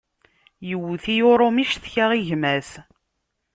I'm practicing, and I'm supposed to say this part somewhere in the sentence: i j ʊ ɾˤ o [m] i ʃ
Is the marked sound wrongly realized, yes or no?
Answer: no